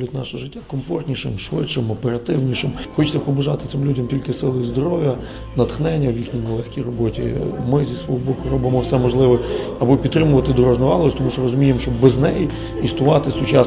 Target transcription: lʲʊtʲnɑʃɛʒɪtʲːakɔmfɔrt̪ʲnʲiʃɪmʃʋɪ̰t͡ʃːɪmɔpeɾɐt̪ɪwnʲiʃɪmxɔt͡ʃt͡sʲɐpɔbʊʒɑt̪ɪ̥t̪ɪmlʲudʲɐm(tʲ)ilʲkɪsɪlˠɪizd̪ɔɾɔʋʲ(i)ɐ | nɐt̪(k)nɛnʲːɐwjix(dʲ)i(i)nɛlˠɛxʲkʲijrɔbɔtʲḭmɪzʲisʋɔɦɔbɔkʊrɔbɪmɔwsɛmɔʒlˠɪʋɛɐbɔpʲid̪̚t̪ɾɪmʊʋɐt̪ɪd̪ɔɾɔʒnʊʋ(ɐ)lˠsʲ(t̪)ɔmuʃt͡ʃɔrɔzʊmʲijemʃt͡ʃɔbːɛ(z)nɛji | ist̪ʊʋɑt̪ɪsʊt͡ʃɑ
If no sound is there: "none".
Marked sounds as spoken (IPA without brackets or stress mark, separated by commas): tʲ, j, x, nʲ, j, ɑ, t̪, z